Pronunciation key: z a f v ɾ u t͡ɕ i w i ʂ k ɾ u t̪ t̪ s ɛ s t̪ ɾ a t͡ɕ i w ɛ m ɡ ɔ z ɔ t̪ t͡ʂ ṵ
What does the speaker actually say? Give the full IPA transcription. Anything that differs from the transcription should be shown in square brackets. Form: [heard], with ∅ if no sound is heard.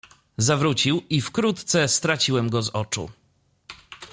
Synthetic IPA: z a [∅] v ɾ u t͡ɕ i w i [f] k ɾ u t̪ t̪ s ɛ s t̪ ɾ a t͡ɕ i w ɛ m ɡ ɔ z ɔ [∅] t͡ʂ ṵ